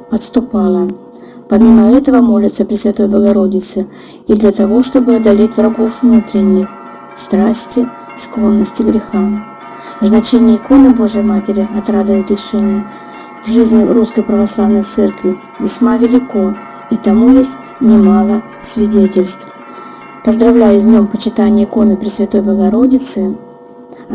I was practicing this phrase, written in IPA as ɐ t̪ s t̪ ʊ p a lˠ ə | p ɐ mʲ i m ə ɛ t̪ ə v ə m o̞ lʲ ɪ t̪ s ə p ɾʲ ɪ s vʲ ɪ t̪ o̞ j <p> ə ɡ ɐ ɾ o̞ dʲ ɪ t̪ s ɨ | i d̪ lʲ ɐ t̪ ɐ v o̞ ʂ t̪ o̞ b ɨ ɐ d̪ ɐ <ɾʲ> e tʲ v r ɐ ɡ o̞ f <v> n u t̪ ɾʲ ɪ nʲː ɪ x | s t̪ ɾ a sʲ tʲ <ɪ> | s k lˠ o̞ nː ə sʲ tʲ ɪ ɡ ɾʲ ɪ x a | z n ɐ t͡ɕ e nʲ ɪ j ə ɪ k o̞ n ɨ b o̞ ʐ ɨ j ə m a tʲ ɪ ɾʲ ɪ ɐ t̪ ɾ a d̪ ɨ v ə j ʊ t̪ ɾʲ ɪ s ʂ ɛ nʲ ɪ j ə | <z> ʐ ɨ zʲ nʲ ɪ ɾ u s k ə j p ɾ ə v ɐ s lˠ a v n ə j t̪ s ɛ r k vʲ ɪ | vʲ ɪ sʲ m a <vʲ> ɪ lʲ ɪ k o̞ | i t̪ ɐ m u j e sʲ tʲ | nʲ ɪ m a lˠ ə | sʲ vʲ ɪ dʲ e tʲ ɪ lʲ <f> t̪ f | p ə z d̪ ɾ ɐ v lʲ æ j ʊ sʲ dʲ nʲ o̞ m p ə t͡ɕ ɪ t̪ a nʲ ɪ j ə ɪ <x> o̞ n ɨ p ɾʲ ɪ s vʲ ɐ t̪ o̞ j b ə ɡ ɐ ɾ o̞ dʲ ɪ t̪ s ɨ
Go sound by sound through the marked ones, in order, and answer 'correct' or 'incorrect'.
incorrect: b, incorrect: lʲ, correct, correct, incorrect: v, correct, incorrect: s, incorrect: k

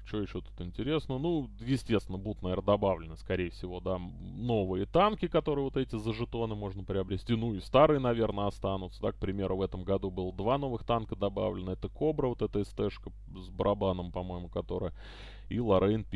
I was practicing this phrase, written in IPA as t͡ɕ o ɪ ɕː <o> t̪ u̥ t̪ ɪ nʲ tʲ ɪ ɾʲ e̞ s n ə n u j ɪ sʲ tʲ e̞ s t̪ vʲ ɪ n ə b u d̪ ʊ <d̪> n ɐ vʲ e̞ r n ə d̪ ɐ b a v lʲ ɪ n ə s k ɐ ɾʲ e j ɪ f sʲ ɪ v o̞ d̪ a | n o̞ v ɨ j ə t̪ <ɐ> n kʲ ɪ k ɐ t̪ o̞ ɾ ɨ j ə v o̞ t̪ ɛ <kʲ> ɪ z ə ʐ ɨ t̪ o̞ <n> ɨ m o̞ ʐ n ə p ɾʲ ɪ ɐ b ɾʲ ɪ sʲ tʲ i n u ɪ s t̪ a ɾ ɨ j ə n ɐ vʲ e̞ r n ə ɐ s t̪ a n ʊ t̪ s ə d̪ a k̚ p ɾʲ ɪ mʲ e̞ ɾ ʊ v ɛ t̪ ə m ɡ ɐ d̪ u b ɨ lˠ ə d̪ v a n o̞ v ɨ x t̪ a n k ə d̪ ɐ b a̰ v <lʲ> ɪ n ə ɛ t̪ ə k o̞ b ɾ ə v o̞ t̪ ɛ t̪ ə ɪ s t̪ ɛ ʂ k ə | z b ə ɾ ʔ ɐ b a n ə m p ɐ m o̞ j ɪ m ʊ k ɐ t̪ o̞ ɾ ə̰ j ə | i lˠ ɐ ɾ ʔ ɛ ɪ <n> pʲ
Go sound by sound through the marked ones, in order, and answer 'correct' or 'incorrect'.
correct, incorrect: t̪, incorrect: a, incorrect: tʲ, correct, correct, correct

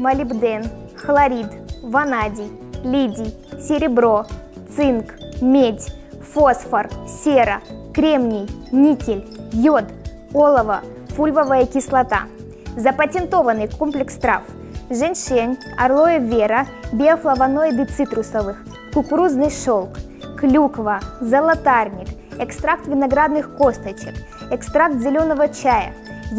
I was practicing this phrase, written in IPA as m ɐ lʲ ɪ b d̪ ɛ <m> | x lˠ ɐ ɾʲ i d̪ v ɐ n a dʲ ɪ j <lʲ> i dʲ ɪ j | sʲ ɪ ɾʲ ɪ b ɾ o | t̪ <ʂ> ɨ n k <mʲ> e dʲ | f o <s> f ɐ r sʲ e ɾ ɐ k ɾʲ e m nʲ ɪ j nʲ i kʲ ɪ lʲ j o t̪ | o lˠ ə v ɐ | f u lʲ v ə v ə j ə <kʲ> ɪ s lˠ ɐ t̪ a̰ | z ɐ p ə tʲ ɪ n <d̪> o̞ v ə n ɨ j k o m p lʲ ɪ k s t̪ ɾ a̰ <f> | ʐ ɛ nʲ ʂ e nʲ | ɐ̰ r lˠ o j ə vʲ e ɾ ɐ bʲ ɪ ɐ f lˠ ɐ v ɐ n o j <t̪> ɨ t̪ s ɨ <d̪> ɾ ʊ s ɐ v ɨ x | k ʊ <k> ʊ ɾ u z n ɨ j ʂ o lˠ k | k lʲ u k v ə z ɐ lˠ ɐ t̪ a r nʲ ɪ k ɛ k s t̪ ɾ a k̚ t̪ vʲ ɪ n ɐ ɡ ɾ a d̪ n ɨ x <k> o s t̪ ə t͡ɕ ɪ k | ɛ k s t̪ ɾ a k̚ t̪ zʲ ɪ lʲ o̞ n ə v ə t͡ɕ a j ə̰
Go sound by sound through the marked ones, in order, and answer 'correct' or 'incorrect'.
incorrect: n, correct, incorrect: s, correct, correct, correct, incorrect: t̪, correct, incorrect: d̪, incorrect: t̪, correct, correct

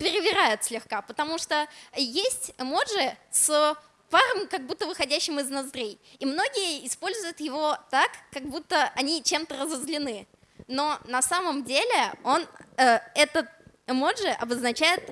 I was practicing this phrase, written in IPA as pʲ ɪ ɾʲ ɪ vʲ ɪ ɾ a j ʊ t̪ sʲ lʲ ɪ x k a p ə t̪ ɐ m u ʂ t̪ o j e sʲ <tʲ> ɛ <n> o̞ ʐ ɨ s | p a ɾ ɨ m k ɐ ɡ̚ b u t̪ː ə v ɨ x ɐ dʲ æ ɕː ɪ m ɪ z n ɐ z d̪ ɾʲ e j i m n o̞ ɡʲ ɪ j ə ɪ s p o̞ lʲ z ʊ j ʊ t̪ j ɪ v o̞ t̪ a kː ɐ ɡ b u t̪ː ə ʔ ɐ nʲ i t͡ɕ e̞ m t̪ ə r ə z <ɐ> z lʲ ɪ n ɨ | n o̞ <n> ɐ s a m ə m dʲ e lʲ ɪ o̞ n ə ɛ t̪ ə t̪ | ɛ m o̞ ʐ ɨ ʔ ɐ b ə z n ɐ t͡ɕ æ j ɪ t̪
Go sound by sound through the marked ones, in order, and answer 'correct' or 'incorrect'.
correct, incorrect: m, incorrect: ə, correct

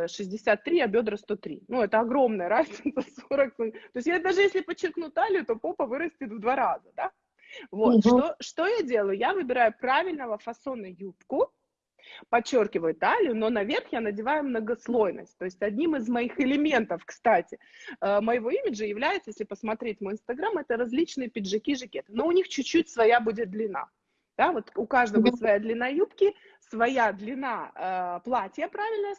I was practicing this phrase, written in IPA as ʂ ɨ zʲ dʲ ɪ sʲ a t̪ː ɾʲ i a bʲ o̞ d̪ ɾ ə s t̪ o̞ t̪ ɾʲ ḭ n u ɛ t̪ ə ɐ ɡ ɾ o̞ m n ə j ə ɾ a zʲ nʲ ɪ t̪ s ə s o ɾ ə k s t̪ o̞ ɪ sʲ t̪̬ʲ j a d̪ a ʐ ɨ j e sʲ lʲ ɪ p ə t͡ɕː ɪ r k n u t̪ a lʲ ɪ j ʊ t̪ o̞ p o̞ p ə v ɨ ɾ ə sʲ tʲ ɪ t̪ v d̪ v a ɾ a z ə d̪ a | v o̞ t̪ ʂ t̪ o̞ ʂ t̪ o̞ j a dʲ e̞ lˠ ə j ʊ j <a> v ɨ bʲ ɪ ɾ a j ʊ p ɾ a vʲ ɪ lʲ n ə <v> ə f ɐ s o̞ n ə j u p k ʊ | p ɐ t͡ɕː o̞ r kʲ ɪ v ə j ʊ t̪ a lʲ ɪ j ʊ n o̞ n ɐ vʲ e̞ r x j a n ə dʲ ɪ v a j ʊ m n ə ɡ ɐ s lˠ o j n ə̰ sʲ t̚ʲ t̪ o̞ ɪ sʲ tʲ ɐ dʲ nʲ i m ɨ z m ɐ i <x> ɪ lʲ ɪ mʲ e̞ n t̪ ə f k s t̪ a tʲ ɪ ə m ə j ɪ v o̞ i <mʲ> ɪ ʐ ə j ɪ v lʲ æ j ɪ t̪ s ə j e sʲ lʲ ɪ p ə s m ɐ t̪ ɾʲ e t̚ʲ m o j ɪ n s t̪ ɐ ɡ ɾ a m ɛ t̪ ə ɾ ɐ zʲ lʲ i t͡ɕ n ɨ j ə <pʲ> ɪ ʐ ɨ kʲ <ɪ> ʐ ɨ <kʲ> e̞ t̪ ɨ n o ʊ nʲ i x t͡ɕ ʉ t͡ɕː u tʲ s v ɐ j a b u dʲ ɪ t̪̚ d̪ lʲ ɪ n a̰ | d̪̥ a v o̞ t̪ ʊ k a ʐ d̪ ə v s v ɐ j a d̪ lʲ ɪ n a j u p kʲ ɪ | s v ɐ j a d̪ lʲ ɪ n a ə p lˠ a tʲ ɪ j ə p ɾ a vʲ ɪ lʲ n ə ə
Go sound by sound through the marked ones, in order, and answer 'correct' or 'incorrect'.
correct, correct, correct, correct, correct, incorrect: i, correct

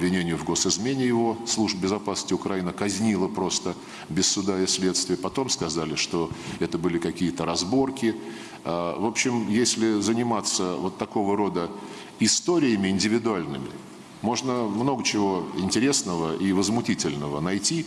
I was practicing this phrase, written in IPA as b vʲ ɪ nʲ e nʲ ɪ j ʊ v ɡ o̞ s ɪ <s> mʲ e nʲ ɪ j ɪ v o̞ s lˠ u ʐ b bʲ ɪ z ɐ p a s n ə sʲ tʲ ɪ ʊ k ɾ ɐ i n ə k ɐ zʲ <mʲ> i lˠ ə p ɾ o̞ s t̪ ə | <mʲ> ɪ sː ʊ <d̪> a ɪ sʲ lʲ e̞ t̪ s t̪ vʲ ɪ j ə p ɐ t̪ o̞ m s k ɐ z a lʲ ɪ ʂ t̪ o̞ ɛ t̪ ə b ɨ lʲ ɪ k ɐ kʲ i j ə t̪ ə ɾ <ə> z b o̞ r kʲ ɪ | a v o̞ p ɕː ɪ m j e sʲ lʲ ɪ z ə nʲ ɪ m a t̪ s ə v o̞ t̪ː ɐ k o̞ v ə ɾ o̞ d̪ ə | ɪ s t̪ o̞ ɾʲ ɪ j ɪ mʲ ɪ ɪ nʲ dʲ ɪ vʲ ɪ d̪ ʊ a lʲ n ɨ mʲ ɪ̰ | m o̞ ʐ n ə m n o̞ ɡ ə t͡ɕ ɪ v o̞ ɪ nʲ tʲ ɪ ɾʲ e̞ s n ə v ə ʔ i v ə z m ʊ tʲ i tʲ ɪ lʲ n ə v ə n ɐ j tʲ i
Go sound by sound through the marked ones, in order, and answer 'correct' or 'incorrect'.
incorrect: z, incorrect: nʲ, incorrect: bʲ, correct, incorrect: ɐ

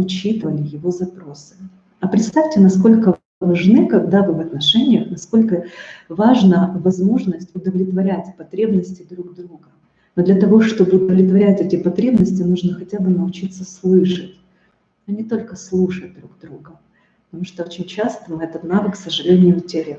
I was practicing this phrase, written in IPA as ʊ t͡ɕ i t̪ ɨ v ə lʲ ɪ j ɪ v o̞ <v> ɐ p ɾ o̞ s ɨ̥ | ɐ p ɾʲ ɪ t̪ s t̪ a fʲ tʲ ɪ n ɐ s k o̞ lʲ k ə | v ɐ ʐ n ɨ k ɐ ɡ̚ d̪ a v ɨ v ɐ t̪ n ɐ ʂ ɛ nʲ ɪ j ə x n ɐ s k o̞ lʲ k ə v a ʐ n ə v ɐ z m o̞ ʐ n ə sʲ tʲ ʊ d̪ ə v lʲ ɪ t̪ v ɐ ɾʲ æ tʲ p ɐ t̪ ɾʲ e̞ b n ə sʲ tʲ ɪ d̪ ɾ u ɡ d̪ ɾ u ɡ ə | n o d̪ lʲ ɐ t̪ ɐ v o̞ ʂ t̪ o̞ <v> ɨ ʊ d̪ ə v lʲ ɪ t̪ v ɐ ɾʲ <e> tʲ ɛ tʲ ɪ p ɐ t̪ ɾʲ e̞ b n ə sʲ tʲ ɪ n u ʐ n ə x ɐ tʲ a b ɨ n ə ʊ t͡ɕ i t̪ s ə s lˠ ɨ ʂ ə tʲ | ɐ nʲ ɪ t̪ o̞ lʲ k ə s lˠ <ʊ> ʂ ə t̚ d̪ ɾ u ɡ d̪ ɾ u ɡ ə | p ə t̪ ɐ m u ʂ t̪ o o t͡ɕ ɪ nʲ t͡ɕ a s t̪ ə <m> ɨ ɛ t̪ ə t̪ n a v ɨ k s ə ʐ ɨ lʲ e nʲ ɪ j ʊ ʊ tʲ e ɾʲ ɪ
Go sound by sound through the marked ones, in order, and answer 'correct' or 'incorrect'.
incorrect: z, incorrect: b, incorrect: æ, incorrect: u, correct

